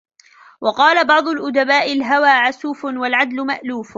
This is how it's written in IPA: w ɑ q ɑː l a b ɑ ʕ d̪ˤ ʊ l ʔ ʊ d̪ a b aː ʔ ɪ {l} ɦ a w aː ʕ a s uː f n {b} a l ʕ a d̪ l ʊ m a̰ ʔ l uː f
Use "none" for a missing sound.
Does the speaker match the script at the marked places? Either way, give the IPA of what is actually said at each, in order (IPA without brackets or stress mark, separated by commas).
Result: l, w